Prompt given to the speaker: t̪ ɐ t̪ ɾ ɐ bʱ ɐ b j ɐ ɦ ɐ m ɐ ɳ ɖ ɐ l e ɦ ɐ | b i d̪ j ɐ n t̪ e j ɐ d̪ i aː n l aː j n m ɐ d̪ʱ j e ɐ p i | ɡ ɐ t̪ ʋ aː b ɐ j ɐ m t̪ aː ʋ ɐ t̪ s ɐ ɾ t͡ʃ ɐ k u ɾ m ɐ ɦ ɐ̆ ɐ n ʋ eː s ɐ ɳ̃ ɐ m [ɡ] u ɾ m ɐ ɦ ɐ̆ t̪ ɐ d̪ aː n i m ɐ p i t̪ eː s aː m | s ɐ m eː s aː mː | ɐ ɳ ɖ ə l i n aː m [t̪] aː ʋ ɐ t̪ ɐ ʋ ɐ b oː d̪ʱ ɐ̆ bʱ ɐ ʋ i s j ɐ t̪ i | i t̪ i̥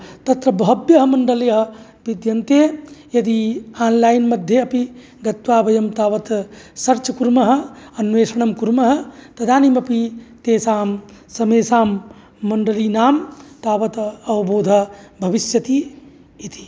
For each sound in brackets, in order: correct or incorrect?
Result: incorrect: k, correct

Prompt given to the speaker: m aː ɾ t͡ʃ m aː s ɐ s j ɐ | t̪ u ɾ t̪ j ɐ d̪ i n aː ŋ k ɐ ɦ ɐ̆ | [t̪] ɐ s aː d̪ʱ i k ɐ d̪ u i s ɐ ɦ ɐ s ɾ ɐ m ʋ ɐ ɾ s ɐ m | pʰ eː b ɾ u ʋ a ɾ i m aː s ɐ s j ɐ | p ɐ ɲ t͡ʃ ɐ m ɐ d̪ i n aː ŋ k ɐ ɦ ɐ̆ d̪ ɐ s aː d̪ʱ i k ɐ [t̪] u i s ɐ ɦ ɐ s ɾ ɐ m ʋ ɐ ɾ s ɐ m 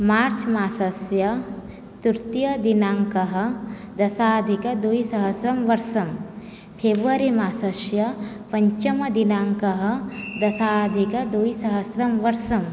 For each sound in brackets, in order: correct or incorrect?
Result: incorrect: d̪, incorrect: d̪

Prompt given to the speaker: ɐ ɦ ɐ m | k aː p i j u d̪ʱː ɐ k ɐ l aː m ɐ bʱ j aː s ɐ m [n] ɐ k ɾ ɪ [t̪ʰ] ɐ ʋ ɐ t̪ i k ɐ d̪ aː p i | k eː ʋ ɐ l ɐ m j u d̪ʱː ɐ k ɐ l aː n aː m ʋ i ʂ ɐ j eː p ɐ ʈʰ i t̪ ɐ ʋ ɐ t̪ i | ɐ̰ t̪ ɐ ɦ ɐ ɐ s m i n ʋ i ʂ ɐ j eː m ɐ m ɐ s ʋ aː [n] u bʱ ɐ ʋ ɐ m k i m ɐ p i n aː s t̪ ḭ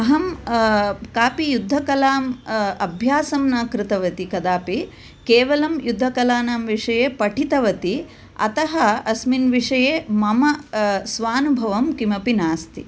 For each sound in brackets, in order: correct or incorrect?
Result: correct, incorrect: t̪, correct

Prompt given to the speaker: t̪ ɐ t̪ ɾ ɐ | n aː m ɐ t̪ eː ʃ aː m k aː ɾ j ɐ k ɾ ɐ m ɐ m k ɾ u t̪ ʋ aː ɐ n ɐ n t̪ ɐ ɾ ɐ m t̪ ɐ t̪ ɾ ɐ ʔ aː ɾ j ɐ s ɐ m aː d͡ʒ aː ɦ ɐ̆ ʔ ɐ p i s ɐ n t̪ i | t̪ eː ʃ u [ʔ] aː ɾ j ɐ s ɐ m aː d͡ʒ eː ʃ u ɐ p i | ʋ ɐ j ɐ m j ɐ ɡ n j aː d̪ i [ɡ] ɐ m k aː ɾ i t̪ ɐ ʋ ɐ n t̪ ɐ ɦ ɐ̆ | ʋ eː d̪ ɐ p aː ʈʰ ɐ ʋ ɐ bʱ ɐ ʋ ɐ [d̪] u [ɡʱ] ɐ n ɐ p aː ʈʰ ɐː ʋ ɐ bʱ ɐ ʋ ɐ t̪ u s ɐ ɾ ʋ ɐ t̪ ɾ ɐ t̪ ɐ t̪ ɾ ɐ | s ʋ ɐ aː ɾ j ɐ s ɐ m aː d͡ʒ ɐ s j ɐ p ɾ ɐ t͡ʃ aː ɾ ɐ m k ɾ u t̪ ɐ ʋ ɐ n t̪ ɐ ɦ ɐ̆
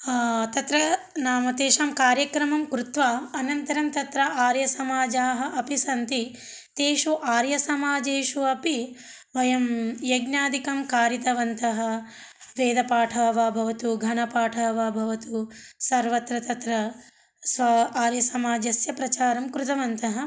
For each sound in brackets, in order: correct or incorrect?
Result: correct, incorrect: k, incorrect: t̪, correct

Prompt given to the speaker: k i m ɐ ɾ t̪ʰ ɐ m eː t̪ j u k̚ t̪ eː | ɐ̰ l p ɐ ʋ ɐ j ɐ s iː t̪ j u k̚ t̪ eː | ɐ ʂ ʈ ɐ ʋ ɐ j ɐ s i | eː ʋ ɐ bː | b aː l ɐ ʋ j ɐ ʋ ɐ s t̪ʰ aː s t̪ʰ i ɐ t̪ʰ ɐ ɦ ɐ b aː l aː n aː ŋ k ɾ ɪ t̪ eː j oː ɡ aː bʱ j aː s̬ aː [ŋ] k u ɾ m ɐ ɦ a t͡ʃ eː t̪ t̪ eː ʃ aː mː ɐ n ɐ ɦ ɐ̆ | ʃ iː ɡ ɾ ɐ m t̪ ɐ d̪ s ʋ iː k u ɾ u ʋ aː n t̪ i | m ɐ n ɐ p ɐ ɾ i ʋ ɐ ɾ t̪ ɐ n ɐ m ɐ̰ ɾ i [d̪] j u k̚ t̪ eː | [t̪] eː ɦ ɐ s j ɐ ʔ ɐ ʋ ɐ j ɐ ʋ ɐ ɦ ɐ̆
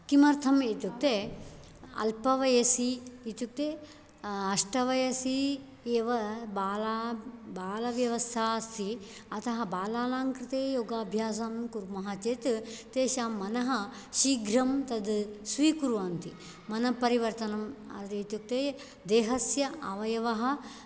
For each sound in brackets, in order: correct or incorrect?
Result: incorrect: m, incorrect: t̪, incorrect: d̪

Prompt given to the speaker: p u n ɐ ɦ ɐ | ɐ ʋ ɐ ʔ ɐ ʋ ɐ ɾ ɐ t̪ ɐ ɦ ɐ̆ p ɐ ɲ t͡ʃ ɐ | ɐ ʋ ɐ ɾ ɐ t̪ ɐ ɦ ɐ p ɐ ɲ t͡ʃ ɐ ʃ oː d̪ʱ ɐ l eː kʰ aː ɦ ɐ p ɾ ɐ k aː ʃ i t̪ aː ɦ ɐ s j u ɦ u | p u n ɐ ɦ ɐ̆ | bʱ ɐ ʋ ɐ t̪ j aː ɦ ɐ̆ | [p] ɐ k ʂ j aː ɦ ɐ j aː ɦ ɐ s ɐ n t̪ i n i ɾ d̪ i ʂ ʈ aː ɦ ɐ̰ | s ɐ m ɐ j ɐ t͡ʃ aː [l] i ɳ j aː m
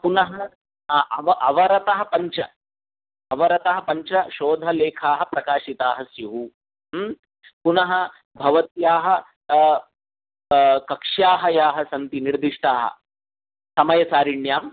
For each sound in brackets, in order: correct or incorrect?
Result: incorrect: k, incorrect: ɾ

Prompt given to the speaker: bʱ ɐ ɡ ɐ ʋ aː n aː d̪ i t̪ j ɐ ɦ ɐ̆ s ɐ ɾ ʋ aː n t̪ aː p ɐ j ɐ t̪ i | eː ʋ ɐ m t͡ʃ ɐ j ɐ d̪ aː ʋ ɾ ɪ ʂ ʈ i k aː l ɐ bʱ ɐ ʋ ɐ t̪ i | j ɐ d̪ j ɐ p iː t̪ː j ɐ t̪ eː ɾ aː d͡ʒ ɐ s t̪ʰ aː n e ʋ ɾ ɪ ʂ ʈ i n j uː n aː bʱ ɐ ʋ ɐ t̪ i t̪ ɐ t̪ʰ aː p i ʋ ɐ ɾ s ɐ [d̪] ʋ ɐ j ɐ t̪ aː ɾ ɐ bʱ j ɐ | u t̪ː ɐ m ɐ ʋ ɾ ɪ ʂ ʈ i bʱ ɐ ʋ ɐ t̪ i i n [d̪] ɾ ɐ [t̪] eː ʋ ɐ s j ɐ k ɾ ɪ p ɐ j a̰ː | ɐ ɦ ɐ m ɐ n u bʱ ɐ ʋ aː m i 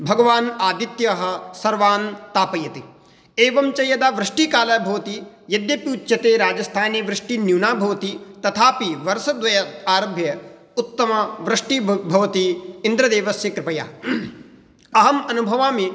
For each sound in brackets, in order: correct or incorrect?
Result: correct, correct, incorrect: d̪

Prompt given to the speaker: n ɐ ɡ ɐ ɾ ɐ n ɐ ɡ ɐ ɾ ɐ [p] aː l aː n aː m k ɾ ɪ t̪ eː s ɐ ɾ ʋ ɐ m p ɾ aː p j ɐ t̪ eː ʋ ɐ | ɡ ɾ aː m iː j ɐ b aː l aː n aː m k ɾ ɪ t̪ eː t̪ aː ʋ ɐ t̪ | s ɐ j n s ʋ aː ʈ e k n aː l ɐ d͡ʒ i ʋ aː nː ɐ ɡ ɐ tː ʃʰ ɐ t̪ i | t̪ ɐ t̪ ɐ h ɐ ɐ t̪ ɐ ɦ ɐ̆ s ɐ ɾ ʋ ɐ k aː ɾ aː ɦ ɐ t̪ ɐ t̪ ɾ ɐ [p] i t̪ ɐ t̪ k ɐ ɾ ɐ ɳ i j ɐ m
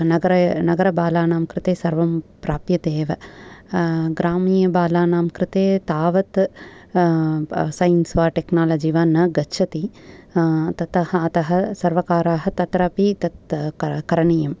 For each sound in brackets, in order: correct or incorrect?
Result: incorrect: b, correct

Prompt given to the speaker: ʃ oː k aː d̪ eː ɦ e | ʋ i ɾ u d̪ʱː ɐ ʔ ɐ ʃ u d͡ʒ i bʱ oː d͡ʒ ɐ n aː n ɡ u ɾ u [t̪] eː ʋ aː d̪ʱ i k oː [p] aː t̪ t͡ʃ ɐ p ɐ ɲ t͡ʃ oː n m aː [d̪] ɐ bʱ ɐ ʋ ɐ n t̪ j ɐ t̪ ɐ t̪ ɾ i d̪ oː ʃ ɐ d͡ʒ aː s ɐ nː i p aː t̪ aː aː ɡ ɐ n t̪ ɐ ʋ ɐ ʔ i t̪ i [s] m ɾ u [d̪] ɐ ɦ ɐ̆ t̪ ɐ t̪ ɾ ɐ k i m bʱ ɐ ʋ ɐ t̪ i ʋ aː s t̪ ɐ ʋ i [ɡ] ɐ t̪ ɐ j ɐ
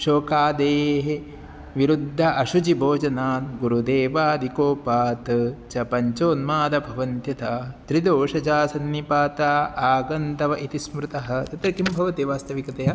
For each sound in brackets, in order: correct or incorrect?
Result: incorrect: d̪, correct, correct, correct, incorrect: t̪, incorrect: k

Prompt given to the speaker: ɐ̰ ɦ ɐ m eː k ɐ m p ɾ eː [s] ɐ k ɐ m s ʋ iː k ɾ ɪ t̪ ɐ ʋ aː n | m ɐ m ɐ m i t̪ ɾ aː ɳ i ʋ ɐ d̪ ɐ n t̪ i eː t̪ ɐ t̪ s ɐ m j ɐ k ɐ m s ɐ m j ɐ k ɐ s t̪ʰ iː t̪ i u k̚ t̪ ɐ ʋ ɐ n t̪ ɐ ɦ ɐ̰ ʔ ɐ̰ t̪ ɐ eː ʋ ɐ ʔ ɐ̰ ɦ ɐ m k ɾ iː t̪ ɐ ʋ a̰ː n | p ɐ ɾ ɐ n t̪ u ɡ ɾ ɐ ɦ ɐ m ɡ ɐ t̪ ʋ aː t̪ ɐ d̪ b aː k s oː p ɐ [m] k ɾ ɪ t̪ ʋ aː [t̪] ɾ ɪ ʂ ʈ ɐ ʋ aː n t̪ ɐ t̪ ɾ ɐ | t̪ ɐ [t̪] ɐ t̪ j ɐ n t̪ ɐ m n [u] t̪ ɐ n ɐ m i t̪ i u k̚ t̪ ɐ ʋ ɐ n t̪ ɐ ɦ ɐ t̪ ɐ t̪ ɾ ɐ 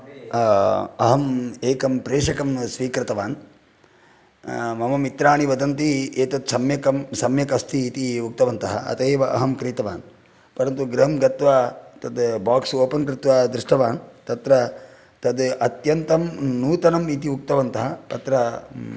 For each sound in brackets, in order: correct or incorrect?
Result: incorrect: ʂ, incorrect: n, incorrect: d̪, incorrect: d̪, incorrect: uː

